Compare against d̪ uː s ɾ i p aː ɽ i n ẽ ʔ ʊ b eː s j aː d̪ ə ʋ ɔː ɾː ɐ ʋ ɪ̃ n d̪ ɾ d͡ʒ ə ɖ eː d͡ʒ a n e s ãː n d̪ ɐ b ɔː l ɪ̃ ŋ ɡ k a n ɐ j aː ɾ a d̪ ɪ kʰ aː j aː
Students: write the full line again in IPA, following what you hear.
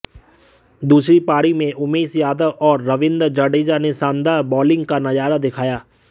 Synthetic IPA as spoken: d̪ uː s ɾ i p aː ɽ i m ẽ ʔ ʊ m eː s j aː d̪ ə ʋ ɔː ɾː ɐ ʋ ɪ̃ n d̪ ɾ d͡ʒ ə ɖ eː d͡ʒ a n e s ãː n d̪ a b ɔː l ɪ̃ ŋ ɡ k a n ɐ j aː ɾ a d̪ ɪ kʰ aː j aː